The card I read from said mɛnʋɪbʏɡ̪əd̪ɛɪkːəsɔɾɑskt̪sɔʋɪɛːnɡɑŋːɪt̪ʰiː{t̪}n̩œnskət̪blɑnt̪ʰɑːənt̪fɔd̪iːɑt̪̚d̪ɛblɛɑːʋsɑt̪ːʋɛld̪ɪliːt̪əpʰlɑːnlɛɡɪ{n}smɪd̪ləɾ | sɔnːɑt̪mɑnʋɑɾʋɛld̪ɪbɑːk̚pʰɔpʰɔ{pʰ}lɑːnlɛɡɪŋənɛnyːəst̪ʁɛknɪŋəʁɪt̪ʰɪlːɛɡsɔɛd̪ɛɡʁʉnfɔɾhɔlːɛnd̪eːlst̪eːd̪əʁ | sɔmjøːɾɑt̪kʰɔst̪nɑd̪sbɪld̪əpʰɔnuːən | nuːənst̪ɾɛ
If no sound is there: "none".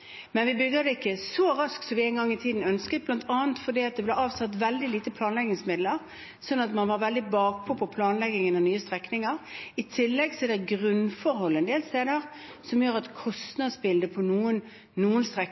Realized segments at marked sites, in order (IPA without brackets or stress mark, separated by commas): d̪, ŋ, pʰ